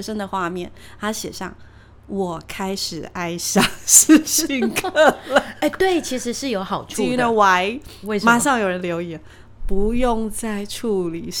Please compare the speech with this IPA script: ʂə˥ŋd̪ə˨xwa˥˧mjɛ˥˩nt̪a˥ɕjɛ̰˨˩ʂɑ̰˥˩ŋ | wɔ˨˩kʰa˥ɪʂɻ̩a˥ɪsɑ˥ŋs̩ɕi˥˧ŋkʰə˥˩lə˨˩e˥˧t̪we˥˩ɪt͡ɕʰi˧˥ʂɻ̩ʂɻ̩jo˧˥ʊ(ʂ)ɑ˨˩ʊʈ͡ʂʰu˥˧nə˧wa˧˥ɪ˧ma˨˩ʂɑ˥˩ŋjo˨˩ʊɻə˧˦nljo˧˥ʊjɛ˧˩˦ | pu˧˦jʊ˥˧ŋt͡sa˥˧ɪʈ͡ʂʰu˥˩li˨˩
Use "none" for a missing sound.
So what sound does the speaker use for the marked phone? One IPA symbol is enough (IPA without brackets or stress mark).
x